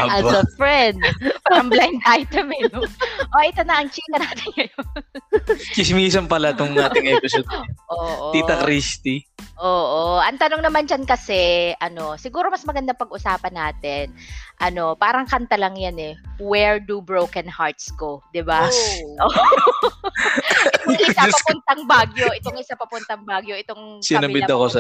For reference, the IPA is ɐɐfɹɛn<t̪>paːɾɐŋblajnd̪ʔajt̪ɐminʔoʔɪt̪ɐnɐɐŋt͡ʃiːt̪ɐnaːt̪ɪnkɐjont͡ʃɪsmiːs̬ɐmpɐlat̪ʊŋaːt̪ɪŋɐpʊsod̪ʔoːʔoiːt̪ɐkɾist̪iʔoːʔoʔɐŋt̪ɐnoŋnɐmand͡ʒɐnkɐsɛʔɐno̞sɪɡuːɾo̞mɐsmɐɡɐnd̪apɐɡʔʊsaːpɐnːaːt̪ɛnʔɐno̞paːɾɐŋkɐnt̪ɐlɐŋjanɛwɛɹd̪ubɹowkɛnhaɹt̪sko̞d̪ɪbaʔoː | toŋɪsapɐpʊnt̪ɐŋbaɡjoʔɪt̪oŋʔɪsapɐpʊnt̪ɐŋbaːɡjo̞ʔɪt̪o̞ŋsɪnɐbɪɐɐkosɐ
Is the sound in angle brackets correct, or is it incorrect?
incorrect